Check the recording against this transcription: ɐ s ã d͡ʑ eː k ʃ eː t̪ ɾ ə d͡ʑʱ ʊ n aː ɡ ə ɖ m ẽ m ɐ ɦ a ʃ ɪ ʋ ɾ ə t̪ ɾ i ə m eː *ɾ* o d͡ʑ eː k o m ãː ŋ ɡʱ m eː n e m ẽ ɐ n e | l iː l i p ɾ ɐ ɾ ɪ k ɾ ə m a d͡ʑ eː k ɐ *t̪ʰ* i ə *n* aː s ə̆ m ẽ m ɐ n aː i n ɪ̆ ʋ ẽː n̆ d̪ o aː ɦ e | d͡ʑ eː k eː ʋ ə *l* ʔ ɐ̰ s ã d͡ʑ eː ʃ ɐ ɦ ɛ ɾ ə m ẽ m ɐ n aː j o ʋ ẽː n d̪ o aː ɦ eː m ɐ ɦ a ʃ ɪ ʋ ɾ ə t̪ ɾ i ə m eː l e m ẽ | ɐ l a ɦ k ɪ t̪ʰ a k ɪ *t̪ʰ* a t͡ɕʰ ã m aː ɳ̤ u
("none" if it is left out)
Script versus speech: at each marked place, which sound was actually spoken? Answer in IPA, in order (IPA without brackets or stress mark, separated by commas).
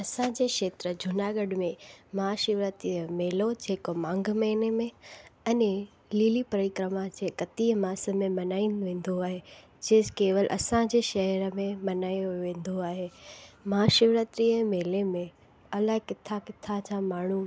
l, t̪, m, l, t̪ʰ